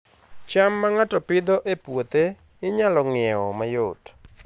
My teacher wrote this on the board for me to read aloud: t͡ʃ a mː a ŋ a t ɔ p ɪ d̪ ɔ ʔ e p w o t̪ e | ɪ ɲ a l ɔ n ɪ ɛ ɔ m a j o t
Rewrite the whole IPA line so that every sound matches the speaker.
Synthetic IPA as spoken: t͡ʃ a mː a ŋ a t ɔ p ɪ d̪ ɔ ʔ e p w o t̪ e | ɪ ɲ a l ɔ ŋ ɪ ɛ ɔ m a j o t